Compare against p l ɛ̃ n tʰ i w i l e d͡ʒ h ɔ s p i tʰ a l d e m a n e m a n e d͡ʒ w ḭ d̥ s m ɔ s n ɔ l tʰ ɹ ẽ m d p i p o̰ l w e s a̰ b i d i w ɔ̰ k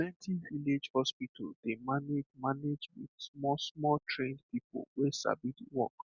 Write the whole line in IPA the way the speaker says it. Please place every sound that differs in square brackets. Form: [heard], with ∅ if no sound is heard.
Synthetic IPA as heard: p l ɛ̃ n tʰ i [v] i l e d͡ʒ h ɔ s p i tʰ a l d e m a n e m a n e d͡ʒ w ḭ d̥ s m ɔ s [m] ɔ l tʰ ɹ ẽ [n] d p i p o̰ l w e s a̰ b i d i w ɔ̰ k